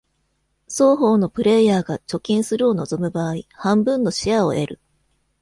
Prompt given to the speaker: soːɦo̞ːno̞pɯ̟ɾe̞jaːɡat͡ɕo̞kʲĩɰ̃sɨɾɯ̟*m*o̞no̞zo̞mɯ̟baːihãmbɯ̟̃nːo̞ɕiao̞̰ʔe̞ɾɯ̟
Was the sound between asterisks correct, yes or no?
no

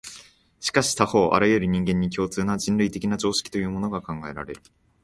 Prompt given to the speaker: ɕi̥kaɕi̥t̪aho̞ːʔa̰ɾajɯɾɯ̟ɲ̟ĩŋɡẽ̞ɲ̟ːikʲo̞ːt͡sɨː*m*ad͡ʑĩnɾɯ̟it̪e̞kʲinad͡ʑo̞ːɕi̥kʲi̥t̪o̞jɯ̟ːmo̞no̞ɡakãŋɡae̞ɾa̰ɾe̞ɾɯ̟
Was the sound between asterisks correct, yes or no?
no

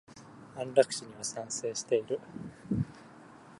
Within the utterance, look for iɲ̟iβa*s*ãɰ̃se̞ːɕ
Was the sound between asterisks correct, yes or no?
yes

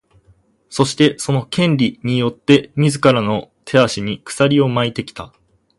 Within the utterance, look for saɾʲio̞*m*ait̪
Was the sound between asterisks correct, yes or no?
yes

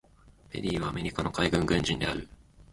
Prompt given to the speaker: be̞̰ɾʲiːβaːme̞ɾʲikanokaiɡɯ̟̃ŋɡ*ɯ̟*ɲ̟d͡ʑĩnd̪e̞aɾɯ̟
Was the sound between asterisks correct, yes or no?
no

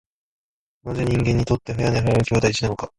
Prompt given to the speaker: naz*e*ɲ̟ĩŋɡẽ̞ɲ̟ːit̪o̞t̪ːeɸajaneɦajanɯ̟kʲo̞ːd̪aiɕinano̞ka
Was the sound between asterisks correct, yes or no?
yes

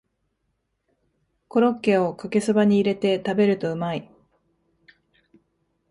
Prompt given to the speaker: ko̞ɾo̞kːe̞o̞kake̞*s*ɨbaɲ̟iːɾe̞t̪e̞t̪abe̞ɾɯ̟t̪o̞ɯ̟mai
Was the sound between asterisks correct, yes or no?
yes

